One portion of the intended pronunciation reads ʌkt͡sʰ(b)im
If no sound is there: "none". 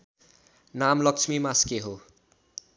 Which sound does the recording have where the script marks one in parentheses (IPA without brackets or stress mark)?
m